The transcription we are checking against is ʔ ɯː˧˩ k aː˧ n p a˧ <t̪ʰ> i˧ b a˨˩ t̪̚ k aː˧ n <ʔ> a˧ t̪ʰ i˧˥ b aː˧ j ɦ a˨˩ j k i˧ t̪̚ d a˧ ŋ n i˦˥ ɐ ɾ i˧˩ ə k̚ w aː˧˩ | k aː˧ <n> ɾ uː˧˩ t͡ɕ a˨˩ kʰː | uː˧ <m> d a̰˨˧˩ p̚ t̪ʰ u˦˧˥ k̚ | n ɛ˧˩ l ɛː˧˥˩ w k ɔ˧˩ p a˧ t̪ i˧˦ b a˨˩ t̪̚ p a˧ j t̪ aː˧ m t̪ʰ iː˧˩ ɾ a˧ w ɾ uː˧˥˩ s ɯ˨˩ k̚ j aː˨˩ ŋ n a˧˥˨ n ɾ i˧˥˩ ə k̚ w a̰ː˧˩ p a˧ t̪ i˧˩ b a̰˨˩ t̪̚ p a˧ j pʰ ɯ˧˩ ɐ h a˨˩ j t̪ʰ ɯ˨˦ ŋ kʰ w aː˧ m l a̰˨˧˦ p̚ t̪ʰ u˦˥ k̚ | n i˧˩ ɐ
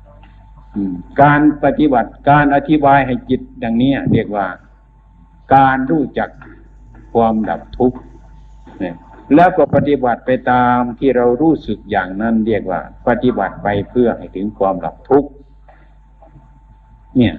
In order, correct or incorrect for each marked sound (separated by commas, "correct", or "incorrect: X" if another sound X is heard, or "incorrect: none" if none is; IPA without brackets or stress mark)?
incorrect: t̪, correct, correct, correct